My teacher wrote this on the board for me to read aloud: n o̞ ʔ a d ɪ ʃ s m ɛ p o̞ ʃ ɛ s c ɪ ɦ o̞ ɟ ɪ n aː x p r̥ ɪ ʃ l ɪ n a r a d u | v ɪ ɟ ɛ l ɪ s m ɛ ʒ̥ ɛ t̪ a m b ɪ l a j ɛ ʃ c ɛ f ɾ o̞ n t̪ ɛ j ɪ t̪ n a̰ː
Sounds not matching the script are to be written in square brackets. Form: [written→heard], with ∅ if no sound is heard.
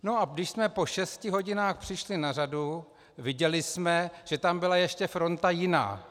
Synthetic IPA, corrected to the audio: n o̞ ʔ a d ɪ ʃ s m ɛ p o̞ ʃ ɛ s c ɪ ɦ o̞ ɟ ɪ n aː x p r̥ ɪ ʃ l ɪ n a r a d u | v ɪ ɟ ɛ l ɪ s m ɛ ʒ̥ ɛ t̪ a m b ɪ l a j ɛ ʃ c ɛ f ɾ o̞ n t̪ [ɛ→a] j ɪ [t̪→∅] n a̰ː